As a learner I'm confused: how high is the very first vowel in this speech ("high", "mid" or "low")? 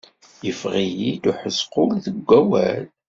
mid